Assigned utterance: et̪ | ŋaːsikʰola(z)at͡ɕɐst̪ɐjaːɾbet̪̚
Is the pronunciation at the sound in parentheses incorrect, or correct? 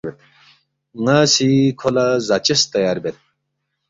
correct